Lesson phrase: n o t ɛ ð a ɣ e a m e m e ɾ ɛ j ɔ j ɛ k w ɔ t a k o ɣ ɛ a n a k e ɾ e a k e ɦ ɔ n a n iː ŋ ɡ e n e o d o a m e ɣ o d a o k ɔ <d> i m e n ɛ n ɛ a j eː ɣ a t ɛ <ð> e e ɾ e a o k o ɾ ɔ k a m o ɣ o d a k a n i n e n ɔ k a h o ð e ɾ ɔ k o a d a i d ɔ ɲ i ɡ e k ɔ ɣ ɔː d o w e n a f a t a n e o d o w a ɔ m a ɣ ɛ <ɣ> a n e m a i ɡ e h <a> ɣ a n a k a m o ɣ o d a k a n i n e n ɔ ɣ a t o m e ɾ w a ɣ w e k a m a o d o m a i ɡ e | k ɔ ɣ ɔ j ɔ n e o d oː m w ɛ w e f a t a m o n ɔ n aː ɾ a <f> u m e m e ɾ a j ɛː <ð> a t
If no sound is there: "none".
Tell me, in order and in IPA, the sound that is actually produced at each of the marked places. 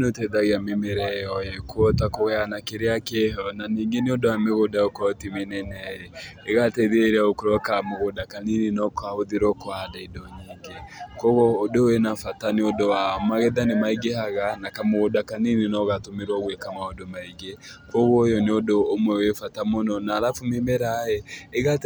t, ð, ð, a, f, ɣ

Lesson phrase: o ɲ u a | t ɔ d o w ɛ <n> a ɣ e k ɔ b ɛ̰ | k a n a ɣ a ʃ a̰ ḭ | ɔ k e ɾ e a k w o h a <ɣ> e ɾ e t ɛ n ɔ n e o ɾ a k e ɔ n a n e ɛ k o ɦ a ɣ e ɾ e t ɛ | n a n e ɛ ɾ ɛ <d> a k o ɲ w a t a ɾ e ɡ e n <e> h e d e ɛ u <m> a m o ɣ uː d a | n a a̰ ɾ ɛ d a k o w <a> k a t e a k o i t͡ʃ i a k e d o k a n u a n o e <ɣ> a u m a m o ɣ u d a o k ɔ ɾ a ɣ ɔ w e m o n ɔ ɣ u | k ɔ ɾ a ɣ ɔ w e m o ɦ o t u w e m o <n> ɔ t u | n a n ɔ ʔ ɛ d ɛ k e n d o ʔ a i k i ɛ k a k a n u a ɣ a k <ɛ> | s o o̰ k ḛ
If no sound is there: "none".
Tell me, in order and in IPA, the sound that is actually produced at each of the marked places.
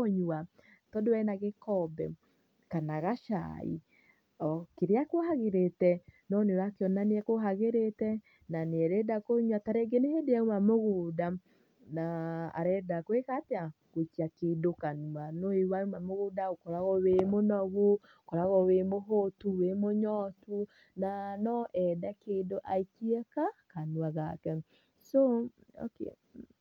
n, ɣ, d, e, m, e, w, ɲ, ɛ

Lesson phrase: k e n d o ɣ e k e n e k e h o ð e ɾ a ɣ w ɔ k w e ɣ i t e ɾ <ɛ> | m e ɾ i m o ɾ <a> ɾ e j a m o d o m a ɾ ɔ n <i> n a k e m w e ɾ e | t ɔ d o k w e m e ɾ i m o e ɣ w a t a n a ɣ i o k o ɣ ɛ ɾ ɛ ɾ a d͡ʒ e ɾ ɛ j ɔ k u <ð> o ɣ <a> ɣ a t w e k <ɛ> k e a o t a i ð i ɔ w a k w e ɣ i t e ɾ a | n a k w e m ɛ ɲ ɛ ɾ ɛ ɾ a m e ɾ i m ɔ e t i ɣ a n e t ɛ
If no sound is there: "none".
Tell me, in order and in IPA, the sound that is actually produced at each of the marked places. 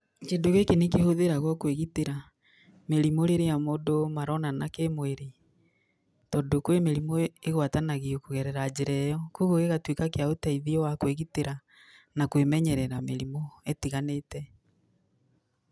a, e, a, ɣ, e, a

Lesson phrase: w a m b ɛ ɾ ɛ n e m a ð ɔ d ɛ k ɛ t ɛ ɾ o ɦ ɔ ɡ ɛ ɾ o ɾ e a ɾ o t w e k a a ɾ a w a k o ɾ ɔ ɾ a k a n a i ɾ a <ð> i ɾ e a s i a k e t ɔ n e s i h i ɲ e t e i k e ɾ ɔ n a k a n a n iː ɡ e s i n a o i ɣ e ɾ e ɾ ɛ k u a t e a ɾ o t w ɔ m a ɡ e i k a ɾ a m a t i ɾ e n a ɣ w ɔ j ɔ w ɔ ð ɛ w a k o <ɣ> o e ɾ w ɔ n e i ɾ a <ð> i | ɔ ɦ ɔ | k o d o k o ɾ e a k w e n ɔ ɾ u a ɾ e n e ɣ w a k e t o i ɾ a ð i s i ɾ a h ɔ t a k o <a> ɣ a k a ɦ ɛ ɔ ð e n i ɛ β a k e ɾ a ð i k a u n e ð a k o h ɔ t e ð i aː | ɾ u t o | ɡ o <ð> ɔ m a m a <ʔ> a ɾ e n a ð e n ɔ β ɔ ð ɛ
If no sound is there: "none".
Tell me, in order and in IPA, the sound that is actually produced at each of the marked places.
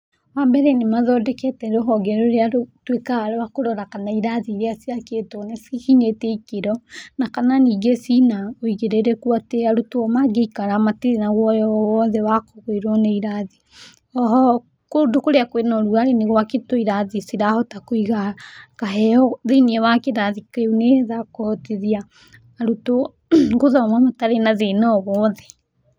ð, ɣ, ð, i, ð, t

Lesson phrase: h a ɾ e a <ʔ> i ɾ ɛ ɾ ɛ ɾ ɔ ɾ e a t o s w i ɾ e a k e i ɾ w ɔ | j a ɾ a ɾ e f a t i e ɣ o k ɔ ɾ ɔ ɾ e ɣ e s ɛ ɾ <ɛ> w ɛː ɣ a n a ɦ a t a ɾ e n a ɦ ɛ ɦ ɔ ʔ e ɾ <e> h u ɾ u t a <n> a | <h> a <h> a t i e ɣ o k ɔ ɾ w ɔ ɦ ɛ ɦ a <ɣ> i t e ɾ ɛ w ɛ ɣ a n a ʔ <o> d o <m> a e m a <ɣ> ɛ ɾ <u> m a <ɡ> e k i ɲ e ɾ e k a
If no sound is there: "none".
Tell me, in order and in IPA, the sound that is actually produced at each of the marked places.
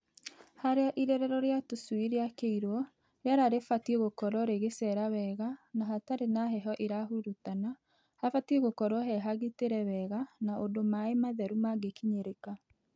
ʔ, a, a, n, h, f, ɣ, o, m, ð, u, ɡ

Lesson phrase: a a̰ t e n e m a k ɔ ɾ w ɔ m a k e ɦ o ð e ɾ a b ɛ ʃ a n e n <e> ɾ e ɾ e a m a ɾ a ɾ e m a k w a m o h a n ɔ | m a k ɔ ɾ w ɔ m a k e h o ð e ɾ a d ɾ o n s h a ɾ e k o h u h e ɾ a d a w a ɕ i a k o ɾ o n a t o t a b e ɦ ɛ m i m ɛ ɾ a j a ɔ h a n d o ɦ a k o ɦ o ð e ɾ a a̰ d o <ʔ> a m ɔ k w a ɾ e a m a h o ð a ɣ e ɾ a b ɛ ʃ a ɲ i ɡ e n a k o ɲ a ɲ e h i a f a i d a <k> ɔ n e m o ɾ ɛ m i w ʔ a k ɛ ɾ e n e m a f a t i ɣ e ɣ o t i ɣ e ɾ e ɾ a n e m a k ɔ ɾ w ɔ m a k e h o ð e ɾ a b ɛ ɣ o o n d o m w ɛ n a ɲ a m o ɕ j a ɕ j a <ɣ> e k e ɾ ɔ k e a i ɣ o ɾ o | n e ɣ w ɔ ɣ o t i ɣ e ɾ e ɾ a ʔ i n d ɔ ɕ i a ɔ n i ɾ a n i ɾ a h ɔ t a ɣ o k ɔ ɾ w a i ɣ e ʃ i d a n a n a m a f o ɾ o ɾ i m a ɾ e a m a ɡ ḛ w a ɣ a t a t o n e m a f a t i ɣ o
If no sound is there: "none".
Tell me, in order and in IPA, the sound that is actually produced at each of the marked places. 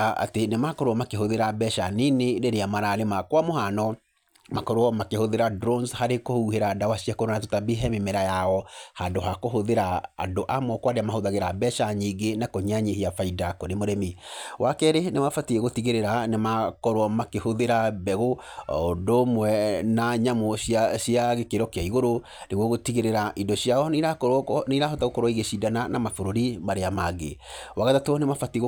e, ʔ, k, ɣ

